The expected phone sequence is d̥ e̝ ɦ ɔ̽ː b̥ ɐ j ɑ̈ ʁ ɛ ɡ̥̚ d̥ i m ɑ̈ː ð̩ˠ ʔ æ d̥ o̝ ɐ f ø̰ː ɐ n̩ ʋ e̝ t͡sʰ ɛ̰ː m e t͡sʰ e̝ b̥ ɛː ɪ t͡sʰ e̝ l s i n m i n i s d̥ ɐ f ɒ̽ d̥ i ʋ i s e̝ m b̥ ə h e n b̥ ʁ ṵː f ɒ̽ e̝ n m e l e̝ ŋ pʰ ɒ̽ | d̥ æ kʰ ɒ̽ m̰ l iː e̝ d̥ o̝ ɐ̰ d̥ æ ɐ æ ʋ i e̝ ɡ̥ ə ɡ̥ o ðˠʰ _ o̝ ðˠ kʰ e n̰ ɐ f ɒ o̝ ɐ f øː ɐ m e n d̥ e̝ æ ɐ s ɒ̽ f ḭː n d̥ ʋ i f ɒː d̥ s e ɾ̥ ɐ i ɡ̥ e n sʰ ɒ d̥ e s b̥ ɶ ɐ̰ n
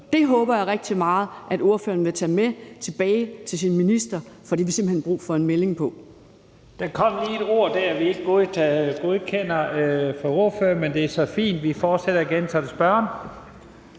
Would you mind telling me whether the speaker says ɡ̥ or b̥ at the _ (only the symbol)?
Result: ɡ̥